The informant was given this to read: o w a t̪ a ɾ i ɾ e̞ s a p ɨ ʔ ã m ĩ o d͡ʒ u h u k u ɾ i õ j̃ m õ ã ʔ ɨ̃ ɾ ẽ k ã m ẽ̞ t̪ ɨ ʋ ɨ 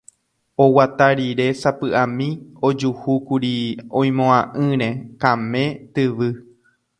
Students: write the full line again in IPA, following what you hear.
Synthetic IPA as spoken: o w a t̪ a ɾ i ɾ e̞ s a p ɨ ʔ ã m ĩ o d͡ʒ u h u k u ɾ i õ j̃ m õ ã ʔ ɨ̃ ɾ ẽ k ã m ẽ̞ t̪ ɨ ʋ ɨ